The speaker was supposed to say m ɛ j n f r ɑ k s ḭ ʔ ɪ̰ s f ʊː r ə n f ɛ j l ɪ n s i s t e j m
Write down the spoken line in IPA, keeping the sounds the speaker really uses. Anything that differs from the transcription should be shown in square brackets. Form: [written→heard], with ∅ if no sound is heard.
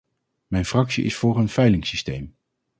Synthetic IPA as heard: m ɛ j n f r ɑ k s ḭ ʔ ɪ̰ s f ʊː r ə n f ɛ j l ɪ [n→ŋ] s i s t e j m